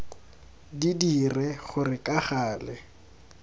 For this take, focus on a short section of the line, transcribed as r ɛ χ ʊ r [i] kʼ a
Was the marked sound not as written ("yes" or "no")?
yes